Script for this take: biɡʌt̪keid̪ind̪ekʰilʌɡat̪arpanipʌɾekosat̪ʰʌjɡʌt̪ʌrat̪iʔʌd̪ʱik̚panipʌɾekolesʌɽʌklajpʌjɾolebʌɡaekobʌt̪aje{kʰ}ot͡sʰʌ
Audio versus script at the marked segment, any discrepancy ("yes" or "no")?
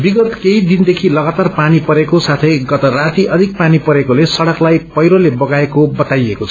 yes